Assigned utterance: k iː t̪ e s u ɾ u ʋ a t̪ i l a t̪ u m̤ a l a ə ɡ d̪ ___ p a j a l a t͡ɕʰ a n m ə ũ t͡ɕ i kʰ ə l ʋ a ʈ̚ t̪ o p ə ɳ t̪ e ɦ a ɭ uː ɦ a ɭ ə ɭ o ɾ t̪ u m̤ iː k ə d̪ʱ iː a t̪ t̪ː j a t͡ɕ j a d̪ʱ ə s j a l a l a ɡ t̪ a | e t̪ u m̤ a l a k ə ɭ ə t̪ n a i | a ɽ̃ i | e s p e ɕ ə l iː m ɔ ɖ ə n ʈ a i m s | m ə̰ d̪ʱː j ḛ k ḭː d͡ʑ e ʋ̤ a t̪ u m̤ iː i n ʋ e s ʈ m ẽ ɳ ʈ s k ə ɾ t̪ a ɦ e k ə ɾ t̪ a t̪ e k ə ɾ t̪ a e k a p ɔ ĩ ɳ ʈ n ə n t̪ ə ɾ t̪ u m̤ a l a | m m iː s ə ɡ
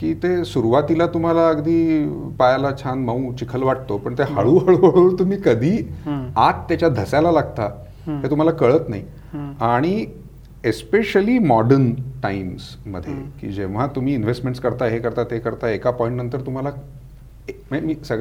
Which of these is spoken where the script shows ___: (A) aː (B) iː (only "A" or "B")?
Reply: B